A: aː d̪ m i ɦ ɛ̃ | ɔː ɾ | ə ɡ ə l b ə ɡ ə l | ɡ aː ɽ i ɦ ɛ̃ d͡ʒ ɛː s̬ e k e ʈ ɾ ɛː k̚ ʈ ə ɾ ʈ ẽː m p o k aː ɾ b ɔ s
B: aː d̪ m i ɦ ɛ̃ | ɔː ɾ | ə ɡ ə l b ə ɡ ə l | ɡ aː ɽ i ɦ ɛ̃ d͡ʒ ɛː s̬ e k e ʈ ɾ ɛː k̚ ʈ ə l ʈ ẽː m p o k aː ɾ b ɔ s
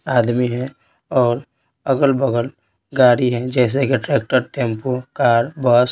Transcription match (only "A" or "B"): A